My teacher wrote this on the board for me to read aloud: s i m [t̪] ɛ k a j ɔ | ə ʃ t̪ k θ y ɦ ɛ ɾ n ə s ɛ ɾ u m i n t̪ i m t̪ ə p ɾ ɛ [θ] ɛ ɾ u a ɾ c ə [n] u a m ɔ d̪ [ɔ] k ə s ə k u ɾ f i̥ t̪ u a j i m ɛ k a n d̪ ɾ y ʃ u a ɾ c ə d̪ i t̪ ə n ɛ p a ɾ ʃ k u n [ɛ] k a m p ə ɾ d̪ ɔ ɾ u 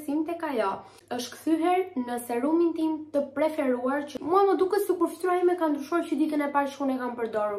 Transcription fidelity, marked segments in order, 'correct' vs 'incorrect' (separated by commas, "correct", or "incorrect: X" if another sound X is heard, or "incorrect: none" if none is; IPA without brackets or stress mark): correct, incorrect: f, incorrect: m, incorrect: u, correct